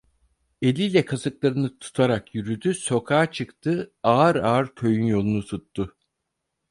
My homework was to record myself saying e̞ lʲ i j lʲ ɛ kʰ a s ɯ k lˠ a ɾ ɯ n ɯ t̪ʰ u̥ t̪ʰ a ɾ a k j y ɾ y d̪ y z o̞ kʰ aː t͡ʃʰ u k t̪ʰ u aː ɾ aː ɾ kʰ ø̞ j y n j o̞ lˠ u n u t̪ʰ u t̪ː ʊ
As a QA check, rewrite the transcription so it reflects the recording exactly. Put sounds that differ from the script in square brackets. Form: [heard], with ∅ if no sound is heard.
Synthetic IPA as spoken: e̞ lʲ i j lʲ ɛ kʰ a s ɯ k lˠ a ɾ ɯ n ɯ t̪ʰ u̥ t̪ʰ a ɾ a k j y ɾ y d̪ y [s] o̞ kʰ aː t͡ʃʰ [ɯ] k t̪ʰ [ɯ] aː ɾ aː ɾ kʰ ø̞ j y n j o̞ lˠ u n u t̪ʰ u t̪ː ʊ